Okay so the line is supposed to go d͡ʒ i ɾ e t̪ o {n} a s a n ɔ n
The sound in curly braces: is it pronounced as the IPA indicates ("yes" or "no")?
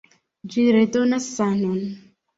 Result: yes